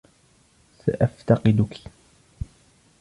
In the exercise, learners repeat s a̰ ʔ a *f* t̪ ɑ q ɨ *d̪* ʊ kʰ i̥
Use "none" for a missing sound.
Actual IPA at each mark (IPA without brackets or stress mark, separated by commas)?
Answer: f, d̪